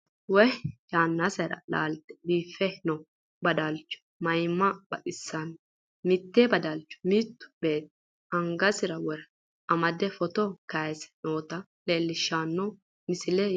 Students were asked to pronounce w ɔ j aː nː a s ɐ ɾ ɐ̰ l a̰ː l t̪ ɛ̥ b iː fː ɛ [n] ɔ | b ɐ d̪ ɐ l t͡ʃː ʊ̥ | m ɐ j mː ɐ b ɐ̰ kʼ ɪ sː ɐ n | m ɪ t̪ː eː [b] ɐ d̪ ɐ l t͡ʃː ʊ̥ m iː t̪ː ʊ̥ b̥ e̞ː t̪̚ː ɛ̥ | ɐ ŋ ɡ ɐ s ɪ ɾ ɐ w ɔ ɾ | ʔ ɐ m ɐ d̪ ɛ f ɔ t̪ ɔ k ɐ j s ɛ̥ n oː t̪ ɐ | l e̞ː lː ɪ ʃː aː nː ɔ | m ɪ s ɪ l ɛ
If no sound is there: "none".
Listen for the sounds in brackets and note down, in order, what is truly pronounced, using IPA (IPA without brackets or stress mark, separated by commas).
n, b